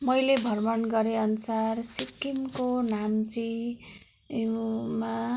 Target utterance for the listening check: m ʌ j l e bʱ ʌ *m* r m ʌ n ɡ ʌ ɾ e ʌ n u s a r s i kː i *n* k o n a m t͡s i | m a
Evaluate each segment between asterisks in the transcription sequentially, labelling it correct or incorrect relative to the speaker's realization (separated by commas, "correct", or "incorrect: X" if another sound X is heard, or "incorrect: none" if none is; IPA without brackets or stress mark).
incorrect: none, incorrect: m